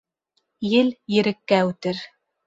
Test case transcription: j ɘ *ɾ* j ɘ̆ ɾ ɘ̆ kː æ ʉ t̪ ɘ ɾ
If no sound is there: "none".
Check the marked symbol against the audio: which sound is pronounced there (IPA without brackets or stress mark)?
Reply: l